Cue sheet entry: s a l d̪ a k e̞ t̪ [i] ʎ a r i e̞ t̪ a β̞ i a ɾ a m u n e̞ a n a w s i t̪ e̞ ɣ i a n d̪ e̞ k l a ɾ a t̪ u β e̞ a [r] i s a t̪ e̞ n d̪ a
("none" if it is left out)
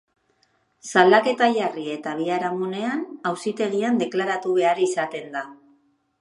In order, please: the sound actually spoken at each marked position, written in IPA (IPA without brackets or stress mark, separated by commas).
a, ɾ